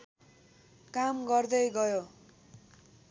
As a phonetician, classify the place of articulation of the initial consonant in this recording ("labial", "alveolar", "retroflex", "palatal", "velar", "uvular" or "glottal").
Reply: velar